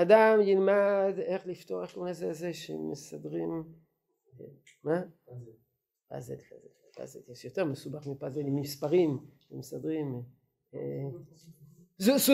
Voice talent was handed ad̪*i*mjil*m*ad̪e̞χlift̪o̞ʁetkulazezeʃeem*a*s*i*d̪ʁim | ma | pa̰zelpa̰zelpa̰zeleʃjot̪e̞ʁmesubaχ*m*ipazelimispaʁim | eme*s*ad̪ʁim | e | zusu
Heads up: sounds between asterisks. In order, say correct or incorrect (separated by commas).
incorrect, correct, incorrect, incorrect, correct, correct